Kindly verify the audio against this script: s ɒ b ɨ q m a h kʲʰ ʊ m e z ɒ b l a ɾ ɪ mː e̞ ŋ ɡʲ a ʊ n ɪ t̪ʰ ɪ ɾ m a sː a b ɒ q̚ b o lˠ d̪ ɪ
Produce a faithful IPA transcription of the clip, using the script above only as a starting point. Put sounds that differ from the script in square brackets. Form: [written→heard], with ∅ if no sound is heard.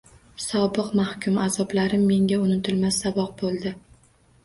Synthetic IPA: s ɒ b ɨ q m a h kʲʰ ʊ m [e→a] z ɒ b l a ɾ ɪ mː e̞ ŋ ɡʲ a ʊ n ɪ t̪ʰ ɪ [ɾ→l] m a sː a b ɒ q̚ b o lˠ d̪ ɪ